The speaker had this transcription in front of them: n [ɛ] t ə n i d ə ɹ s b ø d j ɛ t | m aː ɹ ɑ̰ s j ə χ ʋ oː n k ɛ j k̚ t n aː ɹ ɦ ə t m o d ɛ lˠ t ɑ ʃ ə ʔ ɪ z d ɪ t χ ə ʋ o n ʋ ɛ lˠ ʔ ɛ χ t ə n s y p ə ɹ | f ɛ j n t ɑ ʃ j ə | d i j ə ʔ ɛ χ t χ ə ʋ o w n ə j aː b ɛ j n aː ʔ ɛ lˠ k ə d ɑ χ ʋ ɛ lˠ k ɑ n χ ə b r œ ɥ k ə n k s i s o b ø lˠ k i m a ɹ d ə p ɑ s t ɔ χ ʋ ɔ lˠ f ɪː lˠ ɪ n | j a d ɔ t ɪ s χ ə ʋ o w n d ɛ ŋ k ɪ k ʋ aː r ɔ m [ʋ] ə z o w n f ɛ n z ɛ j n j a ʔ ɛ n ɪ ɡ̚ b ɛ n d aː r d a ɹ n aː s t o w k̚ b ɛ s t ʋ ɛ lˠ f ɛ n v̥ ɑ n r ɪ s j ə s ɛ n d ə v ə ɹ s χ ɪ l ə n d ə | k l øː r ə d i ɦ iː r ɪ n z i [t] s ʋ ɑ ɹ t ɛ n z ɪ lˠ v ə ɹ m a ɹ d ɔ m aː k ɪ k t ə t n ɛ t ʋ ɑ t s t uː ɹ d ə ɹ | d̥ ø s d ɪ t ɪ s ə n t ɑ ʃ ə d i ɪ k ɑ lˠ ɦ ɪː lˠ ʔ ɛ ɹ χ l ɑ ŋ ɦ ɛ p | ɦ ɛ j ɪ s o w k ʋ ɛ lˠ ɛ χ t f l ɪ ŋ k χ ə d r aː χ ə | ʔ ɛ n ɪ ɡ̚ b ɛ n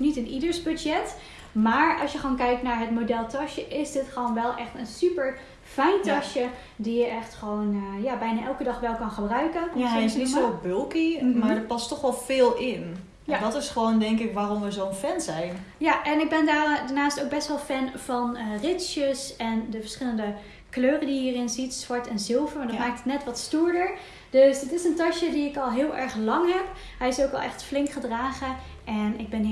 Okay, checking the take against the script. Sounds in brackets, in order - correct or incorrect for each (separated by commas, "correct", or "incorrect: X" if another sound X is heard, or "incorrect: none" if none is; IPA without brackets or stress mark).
incorrect: i, correct, correct